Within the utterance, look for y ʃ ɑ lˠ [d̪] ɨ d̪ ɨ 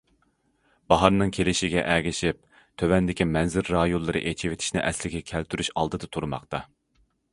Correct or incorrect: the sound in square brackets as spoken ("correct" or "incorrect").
correct